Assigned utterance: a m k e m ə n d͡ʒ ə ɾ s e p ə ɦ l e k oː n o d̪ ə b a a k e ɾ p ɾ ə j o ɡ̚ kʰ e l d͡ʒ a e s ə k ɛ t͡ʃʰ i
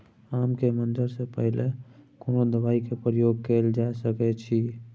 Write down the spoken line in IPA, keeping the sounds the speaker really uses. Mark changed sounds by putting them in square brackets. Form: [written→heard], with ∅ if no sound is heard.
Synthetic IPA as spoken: a m k e m ə n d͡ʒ ə ɾ s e p ə ɦ l e k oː n o d̪ ə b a [a→i] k e [ɾ→∅] p ɾ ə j o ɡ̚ [kʰ→k] e l d͡ʒ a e s ə k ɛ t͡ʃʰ i